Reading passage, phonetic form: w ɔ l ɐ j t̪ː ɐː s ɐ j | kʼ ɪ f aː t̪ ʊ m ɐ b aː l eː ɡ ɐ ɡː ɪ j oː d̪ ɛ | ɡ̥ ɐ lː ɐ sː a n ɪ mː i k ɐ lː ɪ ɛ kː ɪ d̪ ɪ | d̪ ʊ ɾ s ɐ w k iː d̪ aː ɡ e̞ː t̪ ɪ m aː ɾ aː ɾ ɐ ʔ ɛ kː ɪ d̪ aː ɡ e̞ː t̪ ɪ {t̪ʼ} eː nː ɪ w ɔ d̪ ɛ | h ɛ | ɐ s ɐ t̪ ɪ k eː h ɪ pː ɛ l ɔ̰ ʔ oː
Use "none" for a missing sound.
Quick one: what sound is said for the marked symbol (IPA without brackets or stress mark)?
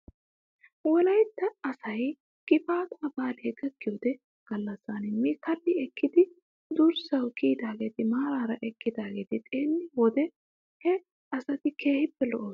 t̪ʼ